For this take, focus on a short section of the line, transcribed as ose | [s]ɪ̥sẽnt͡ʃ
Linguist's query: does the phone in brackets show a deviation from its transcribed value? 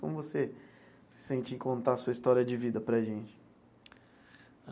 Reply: no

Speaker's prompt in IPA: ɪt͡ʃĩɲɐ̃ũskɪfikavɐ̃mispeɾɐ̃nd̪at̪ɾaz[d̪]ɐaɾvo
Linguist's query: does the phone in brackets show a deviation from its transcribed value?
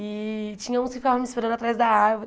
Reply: no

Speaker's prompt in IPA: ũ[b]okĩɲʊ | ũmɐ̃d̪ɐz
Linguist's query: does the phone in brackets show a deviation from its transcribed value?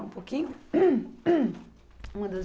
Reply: yes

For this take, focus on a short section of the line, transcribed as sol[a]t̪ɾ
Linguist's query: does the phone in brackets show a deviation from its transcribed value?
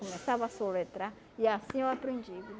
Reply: yes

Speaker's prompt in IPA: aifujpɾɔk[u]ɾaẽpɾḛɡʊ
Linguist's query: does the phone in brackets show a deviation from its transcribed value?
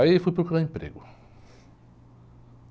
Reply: no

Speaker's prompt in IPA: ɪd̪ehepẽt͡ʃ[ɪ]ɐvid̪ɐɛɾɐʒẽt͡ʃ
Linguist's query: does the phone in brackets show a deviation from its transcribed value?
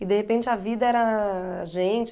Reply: no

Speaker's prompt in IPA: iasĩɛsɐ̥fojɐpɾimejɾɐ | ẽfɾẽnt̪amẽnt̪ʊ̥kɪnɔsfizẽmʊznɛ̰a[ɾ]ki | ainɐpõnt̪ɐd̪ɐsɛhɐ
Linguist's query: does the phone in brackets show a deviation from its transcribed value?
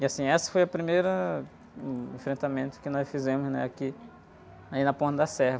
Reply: yes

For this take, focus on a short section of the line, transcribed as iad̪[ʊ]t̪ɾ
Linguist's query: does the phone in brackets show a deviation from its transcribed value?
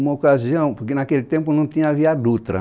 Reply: yes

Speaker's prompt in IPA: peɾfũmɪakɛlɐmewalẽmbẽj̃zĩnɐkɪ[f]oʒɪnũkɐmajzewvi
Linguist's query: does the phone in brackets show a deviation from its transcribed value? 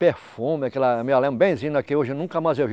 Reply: yes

